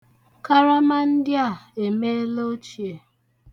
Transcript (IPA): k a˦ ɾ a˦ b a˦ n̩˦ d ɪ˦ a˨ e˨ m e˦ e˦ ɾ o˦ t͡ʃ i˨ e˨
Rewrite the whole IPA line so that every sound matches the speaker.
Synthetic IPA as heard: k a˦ ɾ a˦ m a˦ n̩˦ d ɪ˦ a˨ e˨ m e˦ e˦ l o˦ t͡ʃ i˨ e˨